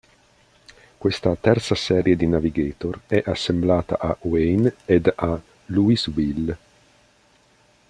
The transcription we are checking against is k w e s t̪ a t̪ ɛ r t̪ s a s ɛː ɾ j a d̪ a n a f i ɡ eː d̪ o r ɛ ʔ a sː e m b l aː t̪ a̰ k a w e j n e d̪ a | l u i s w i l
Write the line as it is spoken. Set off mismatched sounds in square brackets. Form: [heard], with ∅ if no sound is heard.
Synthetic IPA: k w e s t̪ a t̪ ɛ r t̪ s a s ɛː ɾ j [e] d̪ [i] n a [v] i ɡ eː [t̪] o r ɛ ʔ a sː e m b l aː t̪ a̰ [ʔ] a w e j n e d̪ a | l u i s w i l